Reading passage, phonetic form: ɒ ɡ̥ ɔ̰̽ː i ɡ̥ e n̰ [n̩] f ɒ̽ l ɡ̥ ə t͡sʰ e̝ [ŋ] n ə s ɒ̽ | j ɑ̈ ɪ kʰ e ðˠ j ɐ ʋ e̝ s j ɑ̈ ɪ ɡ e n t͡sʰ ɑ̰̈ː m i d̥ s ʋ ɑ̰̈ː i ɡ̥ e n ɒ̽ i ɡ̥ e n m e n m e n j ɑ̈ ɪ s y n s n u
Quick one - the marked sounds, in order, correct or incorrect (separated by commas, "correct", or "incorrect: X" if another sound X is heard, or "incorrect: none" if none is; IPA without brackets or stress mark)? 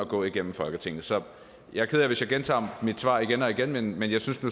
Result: incorrect: m̩, correct